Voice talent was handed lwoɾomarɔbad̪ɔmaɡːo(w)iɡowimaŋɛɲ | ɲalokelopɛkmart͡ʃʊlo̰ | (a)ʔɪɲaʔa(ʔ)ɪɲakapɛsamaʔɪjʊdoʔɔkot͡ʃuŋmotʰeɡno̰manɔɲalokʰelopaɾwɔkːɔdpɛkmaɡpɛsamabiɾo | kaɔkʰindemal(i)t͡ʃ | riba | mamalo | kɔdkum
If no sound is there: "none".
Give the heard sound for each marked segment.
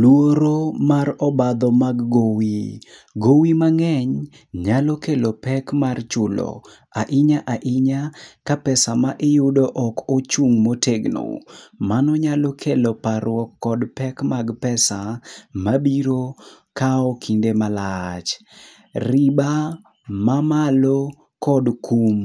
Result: w, a, ʔ, a

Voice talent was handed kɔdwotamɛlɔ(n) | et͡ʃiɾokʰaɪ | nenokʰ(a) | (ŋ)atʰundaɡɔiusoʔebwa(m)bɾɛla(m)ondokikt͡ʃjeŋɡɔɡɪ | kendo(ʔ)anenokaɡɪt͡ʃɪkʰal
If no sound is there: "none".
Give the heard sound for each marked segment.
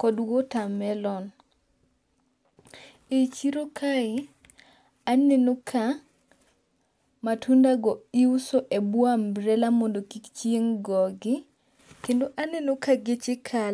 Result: n, a, m, m, m, ʔ

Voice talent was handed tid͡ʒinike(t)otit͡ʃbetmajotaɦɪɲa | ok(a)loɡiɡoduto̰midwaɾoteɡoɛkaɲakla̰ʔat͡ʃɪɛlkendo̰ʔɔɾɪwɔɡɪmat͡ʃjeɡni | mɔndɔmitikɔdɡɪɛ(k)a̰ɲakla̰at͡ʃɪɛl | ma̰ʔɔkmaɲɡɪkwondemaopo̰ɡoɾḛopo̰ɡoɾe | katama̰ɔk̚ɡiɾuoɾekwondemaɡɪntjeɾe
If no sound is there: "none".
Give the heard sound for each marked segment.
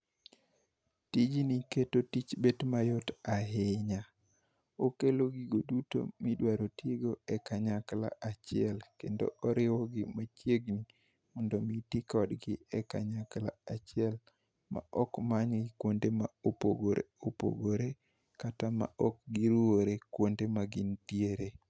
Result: t, e, k

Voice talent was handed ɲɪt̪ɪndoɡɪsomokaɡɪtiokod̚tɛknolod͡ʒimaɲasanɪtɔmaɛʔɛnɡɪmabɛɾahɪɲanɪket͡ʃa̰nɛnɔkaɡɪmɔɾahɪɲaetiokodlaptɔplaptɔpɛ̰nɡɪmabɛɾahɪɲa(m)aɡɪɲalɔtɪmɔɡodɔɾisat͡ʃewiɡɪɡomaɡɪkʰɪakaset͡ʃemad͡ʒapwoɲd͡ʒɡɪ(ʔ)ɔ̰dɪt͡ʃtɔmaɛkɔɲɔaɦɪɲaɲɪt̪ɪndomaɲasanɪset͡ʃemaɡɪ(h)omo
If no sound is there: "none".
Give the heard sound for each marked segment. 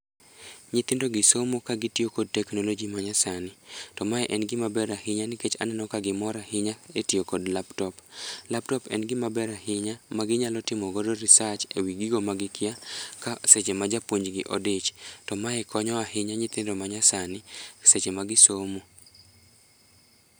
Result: m, ʔ, s

